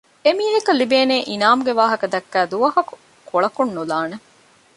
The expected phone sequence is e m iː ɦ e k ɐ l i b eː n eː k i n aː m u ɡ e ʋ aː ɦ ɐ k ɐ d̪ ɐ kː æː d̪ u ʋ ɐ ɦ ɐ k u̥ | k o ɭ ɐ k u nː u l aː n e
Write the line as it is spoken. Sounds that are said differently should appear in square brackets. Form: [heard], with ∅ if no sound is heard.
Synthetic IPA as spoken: e m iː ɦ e k ɐ l i b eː n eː [ʔ] i n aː m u ɡ e ʋ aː ɦ ɐ k ɐ d̪ ɐ kː æː d̪ u ʋ ɐ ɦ ɐ k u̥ | k o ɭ ɐ k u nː u l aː n e